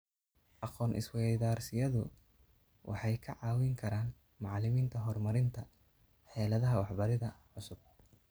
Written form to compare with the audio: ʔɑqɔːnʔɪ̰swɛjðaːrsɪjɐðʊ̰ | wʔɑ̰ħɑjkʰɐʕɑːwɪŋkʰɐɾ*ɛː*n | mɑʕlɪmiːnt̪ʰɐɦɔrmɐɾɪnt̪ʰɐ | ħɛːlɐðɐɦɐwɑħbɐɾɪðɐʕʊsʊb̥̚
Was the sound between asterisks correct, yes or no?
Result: no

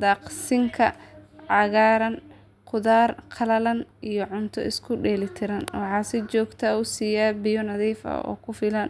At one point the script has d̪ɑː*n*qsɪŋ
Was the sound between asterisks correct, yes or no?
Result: no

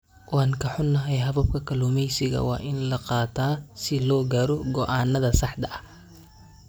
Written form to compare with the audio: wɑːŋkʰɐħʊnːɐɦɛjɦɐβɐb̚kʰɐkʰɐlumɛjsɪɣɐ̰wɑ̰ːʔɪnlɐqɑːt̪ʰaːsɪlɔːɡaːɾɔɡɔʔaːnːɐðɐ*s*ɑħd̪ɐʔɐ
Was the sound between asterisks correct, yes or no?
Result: yes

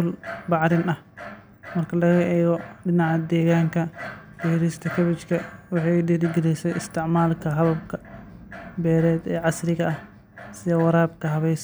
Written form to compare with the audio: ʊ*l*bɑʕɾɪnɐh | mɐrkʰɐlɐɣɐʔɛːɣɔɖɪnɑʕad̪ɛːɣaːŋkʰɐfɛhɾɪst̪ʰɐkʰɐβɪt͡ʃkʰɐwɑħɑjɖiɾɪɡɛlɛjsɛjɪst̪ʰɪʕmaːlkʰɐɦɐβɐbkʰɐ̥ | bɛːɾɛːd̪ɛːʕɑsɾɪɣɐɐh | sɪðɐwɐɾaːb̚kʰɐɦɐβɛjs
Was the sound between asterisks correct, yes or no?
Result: yes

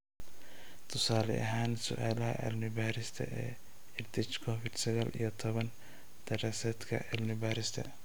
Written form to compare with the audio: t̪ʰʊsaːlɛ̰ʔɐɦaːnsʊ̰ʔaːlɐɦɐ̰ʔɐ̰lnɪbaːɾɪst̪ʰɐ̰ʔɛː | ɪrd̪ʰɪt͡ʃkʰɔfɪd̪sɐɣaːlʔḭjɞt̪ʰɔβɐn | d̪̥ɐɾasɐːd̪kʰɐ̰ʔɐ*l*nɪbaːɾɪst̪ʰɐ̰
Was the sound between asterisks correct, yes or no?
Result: yes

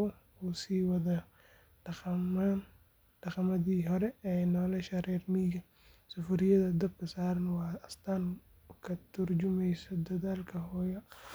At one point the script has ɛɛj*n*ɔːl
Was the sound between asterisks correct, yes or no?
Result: yes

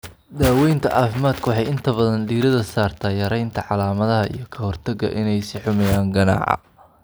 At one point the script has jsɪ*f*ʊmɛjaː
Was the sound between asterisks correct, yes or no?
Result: no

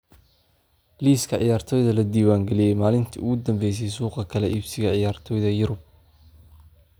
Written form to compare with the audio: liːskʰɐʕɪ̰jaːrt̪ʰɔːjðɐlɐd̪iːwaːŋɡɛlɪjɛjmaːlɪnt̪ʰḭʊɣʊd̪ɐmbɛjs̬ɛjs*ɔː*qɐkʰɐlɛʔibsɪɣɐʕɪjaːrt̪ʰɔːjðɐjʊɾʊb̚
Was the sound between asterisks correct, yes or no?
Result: no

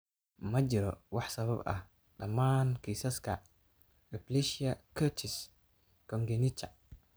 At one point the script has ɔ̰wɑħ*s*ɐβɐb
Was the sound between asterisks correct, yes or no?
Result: yes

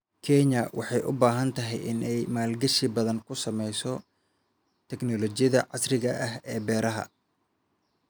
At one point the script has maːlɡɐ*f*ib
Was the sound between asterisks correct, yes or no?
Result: no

